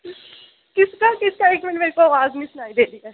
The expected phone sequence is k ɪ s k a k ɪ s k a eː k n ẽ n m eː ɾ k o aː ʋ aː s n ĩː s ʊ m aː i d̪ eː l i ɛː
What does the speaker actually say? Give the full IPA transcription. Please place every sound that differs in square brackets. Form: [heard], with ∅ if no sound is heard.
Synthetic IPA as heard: k ɪ s k a k ɪ s k a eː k [m] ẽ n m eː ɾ k o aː ʋ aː [z] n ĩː s ʊ [n] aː i d̪ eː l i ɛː